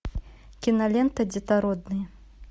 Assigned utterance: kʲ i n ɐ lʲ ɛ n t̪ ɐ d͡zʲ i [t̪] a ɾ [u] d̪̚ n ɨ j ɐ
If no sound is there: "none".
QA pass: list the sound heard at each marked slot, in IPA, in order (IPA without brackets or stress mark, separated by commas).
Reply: t̪, ɔ